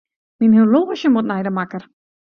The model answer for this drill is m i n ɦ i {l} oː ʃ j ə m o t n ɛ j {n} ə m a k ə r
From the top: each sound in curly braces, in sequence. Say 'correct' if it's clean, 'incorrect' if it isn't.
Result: correct, incorrect: d

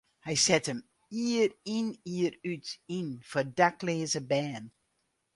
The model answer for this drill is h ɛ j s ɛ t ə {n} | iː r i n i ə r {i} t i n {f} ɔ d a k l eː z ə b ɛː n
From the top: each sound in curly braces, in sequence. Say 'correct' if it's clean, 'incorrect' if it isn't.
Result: incorrect: m, incorrect: y, correct

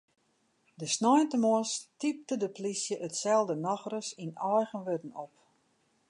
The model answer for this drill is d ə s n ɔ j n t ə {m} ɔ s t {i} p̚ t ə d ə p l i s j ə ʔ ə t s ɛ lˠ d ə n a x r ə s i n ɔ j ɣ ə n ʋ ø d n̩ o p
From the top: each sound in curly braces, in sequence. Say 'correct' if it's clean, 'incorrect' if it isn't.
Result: correct, correct

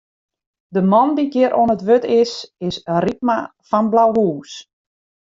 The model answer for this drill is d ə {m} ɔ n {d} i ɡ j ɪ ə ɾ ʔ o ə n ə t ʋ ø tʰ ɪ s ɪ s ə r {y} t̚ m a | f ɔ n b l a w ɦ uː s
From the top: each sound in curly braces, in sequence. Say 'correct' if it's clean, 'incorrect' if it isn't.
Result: correct, correct, incorrect: i

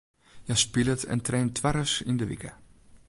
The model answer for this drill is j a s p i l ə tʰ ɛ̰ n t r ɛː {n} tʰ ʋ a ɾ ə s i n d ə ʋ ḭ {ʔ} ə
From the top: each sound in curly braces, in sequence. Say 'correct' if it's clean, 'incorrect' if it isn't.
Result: correct, incorrect: k

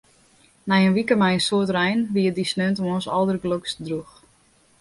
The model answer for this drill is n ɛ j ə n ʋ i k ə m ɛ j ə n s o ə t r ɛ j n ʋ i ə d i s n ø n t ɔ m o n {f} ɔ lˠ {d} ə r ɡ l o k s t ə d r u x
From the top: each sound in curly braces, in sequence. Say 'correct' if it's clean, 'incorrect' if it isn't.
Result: incorrect: s, correct

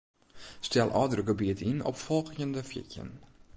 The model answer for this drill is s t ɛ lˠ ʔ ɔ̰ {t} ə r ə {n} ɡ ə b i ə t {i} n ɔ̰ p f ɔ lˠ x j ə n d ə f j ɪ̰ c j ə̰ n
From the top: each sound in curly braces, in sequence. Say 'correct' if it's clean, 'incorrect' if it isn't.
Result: incorrect: d, incorrect: none, correct

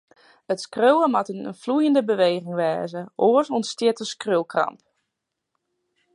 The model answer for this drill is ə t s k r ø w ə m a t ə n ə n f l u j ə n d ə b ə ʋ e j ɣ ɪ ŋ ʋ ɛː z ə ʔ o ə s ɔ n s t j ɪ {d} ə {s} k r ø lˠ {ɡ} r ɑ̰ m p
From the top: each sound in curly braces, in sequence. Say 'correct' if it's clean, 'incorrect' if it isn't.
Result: incorrect: t, correct, incorrect: k

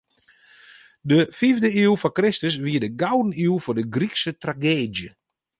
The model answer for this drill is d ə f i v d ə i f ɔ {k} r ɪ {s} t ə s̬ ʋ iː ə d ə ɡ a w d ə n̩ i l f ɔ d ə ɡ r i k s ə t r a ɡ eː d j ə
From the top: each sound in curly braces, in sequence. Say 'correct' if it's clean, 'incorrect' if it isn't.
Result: correct, correct

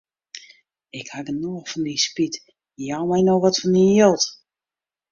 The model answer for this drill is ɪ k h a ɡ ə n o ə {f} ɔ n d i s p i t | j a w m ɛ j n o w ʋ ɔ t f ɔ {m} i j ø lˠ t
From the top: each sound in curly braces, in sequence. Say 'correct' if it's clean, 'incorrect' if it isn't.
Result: correct, incorrect: n

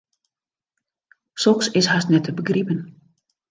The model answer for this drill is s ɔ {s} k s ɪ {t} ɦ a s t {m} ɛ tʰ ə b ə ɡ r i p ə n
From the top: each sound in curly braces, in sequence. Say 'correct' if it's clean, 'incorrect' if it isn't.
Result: incorrect: none, incorrect: s, incorrect: n

